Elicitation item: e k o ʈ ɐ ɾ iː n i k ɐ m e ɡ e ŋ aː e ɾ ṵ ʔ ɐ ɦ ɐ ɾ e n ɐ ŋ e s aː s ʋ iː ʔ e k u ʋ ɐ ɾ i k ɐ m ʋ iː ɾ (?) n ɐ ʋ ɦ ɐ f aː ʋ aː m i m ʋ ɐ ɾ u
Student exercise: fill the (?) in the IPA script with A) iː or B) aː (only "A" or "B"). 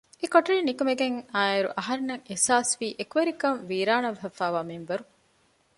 B